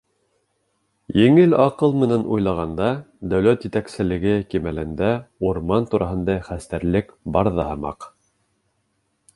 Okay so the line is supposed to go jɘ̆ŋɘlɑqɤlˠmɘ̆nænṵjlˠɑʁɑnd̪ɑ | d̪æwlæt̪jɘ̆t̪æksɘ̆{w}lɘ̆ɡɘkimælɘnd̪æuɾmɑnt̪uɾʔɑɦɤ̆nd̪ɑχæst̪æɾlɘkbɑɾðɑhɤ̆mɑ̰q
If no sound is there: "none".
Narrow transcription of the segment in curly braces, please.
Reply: none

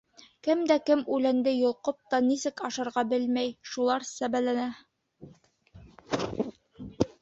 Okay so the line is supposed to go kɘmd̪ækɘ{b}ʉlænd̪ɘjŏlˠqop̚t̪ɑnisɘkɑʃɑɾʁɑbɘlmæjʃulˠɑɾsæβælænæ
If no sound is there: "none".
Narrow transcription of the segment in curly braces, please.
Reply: m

